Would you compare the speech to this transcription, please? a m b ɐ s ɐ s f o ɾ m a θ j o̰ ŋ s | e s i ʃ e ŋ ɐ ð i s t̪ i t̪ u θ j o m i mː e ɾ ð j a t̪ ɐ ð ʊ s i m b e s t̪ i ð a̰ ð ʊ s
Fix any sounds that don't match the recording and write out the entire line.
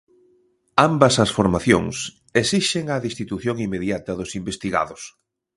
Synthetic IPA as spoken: a m b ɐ s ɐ s f o ɾ m a θ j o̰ ŋ s | e s i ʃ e ŋ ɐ ð i s t̪ i t̪ u θ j o ŋ i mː e ð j a t̪ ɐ ð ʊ s i m b e s t̪ i ɣ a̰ ð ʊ s